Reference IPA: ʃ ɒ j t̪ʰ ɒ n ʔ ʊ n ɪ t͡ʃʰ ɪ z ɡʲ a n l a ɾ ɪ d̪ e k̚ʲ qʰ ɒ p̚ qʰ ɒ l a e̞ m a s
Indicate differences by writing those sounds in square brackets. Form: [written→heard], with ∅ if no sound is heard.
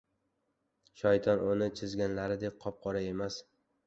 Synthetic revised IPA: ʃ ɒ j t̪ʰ ɒ n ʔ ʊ n ɪ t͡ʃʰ ɪ z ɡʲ a n l a ɾ ɪ d̪ e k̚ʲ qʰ ɒ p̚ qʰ ɒ [l→ɾ] a e̞ m a s

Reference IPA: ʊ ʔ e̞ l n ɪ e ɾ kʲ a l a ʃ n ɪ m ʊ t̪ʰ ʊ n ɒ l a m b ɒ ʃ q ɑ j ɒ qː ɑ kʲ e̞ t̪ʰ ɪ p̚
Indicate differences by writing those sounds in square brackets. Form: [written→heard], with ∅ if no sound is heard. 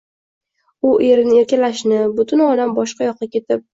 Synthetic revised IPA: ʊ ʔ e̞ [l→ɾ] n ɪ e ɾ kʲ a l a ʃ n ɪ [m→b] ʊ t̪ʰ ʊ n ɒ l a m b ɒ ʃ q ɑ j ɒ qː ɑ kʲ e̞ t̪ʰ ɪ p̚

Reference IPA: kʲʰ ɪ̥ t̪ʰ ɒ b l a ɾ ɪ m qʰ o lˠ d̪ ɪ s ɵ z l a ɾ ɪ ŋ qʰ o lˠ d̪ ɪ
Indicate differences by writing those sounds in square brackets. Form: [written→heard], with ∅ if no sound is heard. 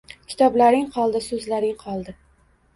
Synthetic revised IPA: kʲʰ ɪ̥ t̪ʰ ɒ b l a ɾ ɪ [m→ŋ] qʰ [o→ɒ] lˠ d̪ ɪ s ɵ z l a ɾ ɪ ŋ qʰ [o→ɒ] lˠ d̪ ɪ

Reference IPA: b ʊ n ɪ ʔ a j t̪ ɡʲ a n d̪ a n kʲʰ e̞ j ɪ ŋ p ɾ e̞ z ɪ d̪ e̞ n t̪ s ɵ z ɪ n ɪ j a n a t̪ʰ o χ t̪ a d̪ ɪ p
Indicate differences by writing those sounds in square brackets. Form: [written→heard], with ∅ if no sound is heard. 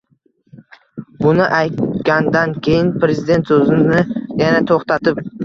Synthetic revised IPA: b ʊ n ɪ ʔ a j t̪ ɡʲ a n d̪ a n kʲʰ e̞ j ɪ [ŋ→n] p ɾ e̞ z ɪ d̪ e̞ n t̪ s ɵ z ɪ n ɪ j a n a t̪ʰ o χ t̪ a [d̪→t̪] ɪ p

